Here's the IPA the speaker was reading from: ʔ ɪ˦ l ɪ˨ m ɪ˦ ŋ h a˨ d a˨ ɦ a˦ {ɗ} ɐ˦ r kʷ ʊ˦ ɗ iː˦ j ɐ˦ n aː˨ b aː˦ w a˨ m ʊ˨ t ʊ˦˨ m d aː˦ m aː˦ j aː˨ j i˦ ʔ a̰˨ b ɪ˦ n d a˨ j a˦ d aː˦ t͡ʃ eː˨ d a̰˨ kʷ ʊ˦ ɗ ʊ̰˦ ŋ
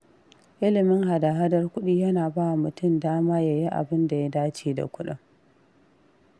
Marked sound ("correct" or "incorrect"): incorrect